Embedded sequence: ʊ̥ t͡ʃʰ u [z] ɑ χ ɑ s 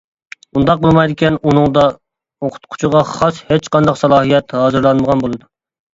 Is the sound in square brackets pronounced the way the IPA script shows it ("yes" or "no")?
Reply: no